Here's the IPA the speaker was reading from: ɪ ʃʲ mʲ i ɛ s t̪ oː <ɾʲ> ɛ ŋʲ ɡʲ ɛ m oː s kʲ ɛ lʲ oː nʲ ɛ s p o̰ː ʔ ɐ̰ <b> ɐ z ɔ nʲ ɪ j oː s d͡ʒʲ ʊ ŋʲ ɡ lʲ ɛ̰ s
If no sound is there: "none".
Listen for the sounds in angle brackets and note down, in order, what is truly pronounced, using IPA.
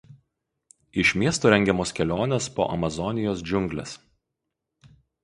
ɾʲ, m

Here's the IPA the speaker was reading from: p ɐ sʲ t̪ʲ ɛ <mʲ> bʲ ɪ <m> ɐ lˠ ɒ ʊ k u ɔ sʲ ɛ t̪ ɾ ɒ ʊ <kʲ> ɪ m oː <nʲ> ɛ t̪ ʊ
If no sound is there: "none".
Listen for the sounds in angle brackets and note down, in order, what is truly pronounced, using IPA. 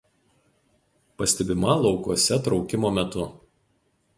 none, m, kʲ, mʲ

